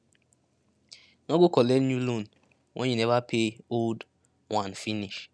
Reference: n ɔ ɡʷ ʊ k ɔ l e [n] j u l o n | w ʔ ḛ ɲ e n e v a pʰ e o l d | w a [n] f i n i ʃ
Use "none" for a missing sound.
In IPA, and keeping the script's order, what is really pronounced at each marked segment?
n, n

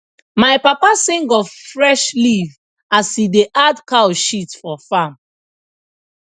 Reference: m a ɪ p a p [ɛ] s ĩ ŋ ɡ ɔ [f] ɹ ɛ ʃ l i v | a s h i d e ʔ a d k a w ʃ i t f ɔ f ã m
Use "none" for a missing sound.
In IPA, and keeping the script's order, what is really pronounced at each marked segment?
a, f

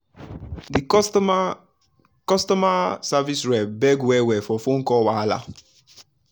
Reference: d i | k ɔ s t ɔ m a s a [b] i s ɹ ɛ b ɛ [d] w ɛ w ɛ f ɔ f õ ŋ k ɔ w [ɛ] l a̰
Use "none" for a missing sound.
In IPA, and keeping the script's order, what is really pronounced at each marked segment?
v, ɡ, a

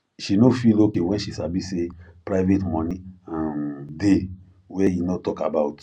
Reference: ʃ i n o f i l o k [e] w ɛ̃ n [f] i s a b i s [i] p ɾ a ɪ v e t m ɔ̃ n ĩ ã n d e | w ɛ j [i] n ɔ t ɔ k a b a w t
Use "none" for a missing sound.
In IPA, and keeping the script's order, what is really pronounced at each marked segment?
e, ʃ, e, i

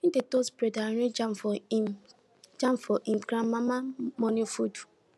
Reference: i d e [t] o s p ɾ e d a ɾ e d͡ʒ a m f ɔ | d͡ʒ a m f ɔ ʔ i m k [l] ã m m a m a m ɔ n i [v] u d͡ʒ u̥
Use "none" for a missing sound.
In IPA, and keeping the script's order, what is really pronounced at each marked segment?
t, ɾ, f

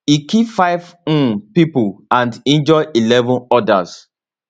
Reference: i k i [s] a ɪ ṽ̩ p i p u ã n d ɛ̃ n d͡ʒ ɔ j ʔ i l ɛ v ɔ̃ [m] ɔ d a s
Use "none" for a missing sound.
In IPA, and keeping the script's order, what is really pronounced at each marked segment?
f, n

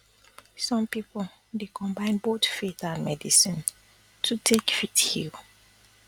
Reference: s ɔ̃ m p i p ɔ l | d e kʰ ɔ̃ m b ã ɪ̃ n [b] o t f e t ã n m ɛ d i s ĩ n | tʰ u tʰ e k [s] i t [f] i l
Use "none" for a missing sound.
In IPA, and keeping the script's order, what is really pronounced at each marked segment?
b, f, h

